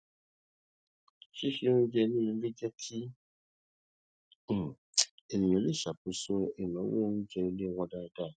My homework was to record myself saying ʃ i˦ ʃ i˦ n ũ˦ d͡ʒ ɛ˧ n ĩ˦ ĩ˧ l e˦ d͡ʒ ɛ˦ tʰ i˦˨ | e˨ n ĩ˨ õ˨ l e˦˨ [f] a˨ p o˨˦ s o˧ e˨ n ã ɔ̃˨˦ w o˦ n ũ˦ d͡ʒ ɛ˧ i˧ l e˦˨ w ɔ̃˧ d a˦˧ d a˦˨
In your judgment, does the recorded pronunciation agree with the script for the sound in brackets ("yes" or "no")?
no